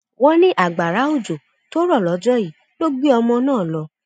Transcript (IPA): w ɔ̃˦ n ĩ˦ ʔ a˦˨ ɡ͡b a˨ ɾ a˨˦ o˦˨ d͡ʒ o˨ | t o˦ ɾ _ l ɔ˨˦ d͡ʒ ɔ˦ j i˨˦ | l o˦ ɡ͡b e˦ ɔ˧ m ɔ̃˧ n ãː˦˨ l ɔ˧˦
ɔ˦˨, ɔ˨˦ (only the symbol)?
ɔ˦˨